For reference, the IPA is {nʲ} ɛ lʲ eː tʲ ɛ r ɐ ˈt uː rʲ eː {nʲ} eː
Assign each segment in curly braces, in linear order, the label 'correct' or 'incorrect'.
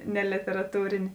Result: correct, correct

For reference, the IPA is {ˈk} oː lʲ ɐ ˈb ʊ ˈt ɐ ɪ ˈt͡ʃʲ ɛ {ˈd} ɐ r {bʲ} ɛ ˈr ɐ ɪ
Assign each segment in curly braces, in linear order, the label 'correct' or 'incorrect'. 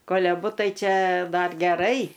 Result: correct, correct, incorrect: ɡʲ

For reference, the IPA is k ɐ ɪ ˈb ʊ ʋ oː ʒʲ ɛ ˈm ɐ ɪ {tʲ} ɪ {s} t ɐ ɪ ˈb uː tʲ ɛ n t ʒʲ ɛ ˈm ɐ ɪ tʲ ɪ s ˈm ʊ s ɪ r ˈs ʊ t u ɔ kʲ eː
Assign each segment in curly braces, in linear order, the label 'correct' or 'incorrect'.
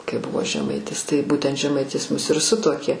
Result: correct, correct

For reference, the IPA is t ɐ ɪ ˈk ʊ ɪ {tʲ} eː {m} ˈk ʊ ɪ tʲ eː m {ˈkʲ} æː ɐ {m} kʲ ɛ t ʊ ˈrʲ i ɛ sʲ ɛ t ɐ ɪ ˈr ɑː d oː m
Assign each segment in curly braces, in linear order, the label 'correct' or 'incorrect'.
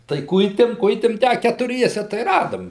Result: correct, correct, incorrect: tʲ, incorrect: none

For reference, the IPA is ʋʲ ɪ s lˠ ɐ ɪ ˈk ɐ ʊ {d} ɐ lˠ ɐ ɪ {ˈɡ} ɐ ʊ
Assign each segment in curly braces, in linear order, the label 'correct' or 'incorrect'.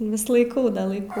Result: correct, incorrect: k

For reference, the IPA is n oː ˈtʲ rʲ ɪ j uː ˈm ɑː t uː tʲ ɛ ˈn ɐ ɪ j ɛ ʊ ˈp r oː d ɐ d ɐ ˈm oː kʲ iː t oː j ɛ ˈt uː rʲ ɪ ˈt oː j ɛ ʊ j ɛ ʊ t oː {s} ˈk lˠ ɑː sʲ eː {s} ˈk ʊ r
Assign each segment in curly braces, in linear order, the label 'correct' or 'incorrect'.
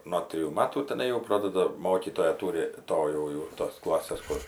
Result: correct, correct

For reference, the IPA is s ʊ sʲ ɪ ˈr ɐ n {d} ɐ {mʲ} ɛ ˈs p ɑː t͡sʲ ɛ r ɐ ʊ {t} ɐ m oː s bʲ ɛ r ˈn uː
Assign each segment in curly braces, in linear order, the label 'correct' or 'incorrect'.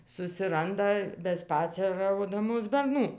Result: correct, incorrect: bʲ, incorrect: d

